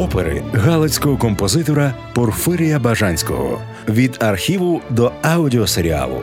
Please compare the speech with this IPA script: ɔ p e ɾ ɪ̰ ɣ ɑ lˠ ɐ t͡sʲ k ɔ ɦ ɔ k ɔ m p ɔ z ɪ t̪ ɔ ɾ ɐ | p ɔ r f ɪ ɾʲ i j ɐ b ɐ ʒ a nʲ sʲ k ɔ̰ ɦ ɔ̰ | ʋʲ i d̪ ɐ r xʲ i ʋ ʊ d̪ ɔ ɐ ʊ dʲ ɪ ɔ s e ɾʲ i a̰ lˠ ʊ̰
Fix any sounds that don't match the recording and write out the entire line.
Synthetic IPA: ɔ p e ɾ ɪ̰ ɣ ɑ lˠ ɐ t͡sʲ k ɔ ɦ ɔ k ɔ m p ɔ z ɪ t̪ ɔ ɾ ɐ | p ɔ r f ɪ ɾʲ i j ɐ b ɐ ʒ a nʲ sʲ k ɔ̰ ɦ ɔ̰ | ʋʲ i d̪ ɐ r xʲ i ʋ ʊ d̪ ɔ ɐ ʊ dʲ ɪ ɔ s e ɾʲ i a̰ lˠ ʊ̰